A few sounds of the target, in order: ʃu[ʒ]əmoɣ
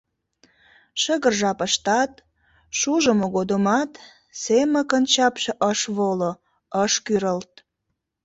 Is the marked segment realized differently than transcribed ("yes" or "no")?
no